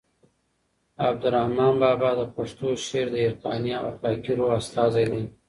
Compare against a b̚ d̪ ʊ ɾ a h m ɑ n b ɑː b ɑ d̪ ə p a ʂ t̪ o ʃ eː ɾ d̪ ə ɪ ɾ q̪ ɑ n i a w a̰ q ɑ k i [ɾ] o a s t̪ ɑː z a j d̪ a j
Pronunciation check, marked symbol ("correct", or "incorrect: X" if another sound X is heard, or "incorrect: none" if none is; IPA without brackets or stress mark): correct